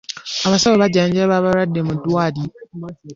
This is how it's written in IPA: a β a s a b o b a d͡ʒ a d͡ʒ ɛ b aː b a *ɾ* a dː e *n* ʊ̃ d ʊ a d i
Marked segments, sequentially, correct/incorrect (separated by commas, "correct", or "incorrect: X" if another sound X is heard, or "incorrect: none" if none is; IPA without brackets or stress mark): correct, incorrect: m